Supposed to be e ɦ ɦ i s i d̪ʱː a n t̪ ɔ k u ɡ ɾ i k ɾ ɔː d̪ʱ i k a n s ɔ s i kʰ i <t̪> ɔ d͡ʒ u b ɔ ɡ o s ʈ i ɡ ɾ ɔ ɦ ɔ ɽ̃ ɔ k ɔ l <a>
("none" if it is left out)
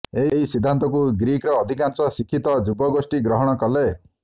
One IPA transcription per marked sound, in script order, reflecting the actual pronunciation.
t̪, e

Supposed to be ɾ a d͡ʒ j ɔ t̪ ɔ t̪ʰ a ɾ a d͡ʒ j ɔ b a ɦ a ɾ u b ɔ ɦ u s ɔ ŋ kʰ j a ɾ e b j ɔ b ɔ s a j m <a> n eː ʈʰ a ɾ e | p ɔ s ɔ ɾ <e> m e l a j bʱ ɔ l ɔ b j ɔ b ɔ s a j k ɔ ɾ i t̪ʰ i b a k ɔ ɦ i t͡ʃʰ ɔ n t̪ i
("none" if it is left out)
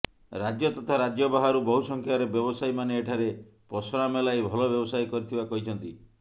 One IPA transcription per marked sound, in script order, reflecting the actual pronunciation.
a, a

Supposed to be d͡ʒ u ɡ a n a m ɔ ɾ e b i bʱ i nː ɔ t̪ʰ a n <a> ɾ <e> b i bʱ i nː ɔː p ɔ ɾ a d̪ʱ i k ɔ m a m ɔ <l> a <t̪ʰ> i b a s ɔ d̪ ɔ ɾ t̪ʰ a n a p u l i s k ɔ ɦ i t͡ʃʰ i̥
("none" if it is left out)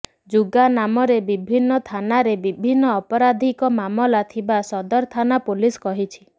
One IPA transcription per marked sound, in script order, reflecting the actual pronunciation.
a, e, l, t̪ʰ

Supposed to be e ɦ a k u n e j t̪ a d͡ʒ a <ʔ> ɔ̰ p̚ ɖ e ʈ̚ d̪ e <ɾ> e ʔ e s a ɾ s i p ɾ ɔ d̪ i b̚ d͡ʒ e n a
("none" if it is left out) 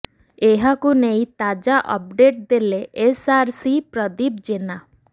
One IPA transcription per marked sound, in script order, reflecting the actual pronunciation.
ʔ, l

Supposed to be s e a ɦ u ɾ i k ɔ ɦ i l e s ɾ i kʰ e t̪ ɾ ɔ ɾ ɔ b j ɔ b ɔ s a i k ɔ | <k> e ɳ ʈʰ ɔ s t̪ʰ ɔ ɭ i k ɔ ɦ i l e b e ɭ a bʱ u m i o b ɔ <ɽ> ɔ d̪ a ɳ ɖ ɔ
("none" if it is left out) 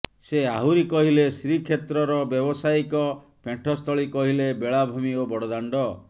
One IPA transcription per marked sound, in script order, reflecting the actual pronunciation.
p, ɽ

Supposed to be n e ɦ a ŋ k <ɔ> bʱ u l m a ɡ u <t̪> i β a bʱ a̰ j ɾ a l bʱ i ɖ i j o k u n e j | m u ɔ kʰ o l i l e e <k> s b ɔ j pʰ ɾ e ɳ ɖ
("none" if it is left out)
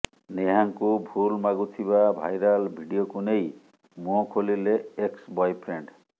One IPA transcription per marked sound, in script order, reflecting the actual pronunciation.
u, t̪ʰ, k

